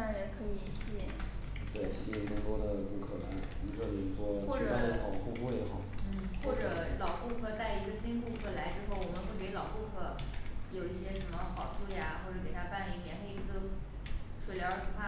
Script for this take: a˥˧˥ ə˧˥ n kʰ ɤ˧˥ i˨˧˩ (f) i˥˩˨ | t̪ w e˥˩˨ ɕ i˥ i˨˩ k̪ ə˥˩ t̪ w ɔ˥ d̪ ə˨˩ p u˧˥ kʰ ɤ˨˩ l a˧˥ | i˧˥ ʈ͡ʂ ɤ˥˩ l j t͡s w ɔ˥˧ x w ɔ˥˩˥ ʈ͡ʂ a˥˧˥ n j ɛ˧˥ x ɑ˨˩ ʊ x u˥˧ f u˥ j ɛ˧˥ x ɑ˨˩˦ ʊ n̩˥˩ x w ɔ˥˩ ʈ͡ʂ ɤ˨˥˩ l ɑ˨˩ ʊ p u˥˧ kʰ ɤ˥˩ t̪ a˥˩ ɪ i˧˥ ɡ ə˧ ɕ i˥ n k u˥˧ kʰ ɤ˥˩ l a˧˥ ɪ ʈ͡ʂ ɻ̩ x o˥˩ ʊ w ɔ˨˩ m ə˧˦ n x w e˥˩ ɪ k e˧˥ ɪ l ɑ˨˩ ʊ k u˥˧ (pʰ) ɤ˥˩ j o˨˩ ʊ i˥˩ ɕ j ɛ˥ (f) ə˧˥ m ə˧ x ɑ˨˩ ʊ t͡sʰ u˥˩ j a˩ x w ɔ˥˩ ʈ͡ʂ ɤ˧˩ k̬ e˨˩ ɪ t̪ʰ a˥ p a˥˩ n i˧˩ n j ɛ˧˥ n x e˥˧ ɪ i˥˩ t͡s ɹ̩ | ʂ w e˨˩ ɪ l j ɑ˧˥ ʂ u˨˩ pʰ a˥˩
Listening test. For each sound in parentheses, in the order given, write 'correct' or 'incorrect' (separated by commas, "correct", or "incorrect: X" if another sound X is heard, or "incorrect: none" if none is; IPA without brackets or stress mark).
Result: incorrect: ɕ, incorrect: kʰ, incorrect: ʂ